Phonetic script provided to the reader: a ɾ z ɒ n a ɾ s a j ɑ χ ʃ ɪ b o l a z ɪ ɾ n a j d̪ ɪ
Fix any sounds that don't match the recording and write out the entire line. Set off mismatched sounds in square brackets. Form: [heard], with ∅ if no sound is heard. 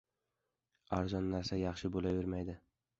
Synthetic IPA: a ɾ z ɒ [nː] a ɾ s a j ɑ χ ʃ ɪ b o l a [v] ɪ ɾ [m] a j d̪ ɪ

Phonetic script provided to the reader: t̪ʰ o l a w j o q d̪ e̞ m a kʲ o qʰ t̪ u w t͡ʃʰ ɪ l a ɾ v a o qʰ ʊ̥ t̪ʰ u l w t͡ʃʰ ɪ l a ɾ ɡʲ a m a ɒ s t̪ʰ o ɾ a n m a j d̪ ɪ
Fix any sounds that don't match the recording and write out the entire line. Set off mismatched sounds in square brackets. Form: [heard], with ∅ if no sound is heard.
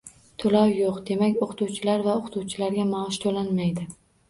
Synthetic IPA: t̪ʰ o l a w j o q d̪ e̞ m a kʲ o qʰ t̪ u w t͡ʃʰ ɪ l a ɾ v a o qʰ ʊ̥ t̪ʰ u [∅] w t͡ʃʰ ɪ l a ɾ ɡʲ a m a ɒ [ʃ] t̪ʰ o [l] a n m a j d̪ ɪ

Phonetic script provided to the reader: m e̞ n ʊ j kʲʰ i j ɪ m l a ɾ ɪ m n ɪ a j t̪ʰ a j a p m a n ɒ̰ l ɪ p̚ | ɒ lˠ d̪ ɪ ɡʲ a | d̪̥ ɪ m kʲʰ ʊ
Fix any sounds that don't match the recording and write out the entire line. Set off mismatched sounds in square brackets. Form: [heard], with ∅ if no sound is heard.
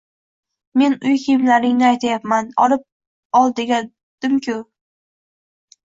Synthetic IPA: m e̞ n ʊ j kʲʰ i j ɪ m l a ɾ ɪ [ŋ] n ɪ a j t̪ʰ a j a p m a n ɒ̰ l ɪ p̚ | ɒ lˠ d̪ ɪ ɡʲ a | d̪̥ ɪ m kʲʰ ʊ

